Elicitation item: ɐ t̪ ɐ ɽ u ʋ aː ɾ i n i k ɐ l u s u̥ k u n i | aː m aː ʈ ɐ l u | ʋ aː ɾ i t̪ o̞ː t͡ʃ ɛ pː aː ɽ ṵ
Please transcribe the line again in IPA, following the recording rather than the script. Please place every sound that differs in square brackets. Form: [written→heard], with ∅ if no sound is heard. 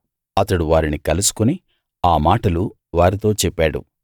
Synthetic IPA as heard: ɐ t̪ ɐ ɽ u ʋ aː ɾ i n i k ɐ l u s u̥ k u n i | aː m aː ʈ ɐ l u | ʋ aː ɾ i t̪ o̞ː t͡ʃ ɛ pː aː ɽ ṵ